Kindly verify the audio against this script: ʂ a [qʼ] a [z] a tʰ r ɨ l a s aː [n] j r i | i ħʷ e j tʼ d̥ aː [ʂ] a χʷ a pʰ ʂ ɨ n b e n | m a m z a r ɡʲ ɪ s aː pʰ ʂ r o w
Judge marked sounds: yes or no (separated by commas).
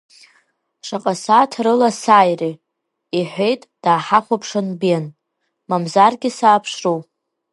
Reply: yes, no, no, no